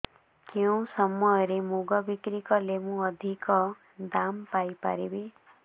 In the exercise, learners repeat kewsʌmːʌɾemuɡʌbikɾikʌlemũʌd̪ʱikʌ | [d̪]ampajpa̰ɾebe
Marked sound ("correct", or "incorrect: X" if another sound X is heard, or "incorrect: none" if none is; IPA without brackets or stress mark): correct